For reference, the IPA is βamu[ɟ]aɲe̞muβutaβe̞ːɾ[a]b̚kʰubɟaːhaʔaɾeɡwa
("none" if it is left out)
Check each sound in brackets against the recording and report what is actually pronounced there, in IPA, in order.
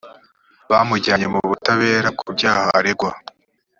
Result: ɟ, a

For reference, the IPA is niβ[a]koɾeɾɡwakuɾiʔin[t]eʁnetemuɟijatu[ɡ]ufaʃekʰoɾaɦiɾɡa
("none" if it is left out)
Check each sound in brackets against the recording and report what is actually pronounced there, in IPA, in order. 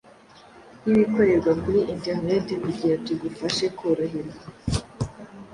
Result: i, t, ɡ

